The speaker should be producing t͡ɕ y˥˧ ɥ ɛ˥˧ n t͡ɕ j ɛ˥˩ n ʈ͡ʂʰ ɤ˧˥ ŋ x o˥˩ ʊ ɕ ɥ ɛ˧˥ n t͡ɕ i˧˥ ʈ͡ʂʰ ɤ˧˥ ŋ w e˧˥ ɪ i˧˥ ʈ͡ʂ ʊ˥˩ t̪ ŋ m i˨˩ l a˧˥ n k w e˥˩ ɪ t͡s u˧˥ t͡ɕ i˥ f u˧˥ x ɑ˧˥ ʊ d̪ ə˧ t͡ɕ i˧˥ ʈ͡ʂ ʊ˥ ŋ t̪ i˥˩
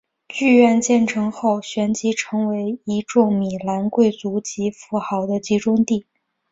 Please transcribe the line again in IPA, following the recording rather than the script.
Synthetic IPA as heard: t͡ɕ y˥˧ ɥ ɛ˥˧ n t͡ɕ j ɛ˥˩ n ʈ͡ʂʰ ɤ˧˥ ŋ x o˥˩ ʊ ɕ ɥ ɛ˧˥ n t͡ɕ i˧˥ ʈ͡ʂʰ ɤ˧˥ ŋ w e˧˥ ɪ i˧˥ ʈ͡ʂ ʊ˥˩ ŋ m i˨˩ l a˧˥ n k w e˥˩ ɪ t͡s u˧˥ t͡ɕ i˧˥ f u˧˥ x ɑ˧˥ ʊ d̪ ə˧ t͡ɕ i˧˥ ʈ͡ʂ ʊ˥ ŋ t̪ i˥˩

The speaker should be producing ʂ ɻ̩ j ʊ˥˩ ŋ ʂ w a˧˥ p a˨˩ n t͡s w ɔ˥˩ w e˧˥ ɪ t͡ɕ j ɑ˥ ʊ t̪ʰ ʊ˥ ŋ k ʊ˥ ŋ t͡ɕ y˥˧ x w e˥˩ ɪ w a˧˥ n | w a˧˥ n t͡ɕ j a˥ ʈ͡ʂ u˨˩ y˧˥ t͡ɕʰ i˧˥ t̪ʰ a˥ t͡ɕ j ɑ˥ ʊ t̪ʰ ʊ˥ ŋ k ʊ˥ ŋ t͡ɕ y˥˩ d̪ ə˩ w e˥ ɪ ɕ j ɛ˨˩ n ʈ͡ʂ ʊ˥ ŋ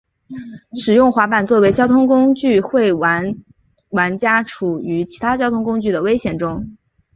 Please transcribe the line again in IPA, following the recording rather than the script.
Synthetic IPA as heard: ʂ ɻ̩ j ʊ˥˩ ŋ x w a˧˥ p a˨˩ n t͡s w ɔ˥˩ w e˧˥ ɪ t͡ɕ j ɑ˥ ʊ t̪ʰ ʊ˥ ŋ k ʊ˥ ŋ t͡ɕ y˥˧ x w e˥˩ ɪ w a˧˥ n | w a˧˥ n t͡ɕ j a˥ ʈ͡ʂʰ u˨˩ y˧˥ t͡ɕʰ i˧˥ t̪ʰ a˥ t͡ɕ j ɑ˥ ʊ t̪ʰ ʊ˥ ŋ k ʊ˥ ŋ t͡ɕ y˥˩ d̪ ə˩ w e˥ ɪ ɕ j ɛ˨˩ n ʈ͡ʂ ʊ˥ ŋ

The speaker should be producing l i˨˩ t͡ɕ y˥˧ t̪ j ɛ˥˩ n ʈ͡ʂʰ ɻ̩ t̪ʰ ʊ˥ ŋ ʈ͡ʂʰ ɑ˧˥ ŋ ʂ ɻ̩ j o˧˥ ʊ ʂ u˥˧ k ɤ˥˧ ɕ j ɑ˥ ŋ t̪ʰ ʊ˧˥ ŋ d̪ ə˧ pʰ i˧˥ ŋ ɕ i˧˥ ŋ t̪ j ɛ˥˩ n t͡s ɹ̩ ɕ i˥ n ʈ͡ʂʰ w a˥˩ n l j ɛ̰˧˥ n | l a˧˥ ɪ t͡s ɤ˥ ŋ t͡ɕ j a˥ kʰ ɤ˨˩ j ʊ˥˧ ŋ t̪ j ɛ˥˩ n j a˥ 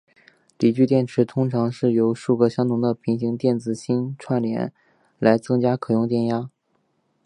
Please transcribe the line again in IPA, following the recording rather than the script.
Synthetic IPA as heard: l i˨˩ t͡ɕ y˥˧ t̪ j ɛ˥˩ n ʈ͡ʂʰ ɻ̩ t̪ʰ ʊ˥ ŋ ʈ͡ʂʰ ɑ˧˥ ŋ ʂ ɻ̩ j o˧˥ ʊ ʂ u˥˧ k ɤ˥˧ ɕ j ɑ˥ ŋ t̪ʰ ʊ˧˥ ŋ d̪ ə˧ pʰ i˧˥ ŋ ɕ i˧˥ ŋ t̪ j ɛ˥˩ n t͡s ɹ̩ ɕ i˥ n ʈ͡ʂʰ w a˥˩ n l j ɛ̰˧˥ n | l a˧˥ ɪ t͡s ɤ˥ ŋ t͡ɕ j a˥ kʰ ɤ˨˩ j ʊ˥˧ ŋ t̪ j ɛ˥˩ n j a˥

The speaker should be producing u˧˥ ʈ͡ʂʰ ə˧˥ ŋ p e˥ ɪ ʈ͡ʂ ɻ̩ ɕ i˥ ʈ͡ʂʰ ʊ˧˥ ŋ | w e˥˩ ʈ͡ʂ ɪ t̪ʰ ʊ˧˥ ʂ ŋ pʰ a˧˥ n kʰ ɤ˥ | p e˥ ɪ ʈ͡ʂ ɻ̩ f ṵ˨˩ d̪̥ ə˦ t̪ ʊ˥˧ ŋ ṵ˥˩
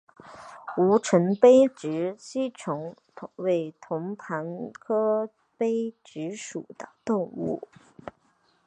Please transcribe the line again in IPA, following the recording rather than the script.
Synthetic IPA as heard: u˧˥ ʈ͡ʂʰ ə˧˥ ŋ p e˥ ɪ ʈ͡ʂ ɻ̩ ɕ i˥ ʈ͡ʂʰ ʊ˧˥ ŋ | w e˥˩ ɪ t̪ʰ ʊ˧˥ ŋ pʰ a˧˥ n kʰ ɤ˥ | p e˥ ɪ ʈ͡ʂ ɻ̩ ʂ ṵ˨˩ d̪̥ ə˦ t̪ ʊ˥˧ ŋ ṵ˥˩

